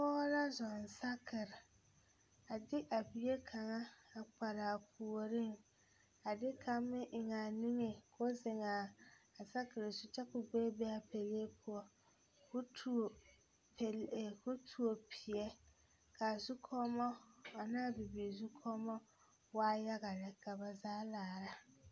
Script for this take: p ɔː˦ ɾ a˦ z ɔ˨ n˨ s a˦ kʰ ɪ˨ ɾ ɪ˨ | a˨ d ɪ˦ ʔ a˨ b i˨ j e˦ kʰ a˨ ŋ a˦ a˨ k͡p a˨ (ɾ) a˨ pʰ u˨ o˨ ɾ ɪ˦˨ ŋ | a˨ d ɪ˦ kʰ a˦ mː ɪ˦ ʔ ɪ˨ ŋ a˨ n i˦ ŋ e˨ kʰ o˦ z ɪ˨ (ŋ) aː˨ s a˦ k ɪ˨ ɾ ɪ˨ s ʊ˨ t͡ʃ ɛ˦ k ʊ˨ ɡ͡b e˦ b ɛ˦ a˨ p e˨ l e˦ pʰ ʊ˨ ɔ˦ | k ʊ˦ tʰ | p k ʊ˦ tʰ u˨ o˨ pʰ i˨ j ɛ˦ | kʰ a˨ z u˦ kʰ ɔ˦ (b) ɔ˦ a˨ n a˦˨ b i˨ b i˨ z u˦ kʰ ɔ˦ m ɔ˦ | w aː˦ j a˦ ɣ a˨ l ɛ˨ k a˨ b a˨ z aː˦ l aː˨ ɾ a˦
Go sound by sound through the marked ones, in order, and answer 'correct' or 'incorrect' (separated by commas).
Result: correct, correct, incorrect